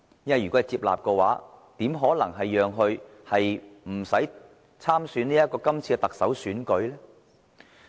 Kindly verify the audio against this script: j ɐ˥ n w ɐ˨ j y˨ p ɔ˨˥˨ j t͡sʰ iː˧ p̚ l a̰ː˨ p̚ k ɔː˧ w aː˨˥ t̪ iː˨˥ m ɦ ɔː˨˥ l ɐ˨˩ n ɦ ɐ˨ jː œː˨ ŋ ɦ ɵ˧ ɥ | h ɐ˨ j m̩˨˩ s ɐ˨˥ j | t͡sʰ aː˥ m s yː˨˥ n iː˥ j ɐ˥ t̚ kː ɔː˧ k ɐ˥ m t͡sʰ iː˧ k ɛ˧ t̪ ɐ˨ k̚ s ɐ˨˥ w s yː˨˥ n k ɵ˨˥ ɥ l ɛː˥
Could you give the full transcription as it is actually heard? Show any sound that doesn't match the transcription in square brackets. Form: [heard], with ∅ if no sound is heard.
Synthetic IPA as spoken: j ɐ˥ n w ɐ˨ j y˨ [k] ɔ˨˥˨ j [t͡s] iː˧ p̚ l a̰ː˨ p̚ k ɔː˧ w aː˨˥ t̪ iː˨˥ m ɦ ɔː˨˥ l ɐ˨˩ [ŋ] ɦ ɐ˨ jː œː˨ ŋ ɦ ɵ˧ ɥ | h ɐ˨ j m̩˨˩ s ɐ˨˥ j | t͡sʰ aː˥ m s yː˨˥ n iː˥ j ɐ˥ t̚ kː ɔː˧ k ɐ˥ m t͡sʰ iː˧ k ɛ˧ t̪ ɐ˨ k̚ s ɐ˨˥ w s yː˨˥ n k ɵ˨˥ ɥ l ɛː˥